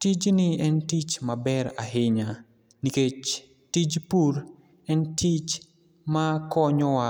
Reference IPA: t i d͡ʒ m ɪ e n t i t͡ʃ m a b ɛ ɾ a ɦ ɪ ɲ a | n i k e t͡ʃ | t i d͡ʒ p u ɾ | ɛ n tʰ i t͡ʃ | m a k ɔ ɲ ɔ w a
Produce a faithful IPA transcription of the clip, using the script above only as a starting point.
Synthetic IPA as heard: t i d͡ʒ n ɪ ɛ n t i t͡ʃ m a b ɛ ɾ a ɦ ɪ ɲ a | n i k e t͡ʃ | t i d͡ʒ p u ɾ | ɛ n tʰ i t͡ʃ | m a k ɔ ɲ ɔ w a